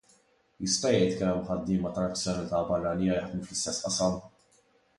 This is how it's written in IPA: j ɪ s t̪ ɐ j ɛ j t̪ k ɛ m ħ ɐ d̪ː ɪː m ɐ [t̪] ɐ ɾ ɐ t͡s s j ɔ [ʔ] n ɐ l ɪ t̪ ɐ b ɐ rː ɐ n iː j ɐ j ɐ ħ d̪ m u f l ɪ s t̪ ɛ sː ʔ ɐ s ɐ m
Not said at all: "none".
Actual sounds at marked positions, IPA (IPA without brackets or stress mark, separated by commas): t̪, none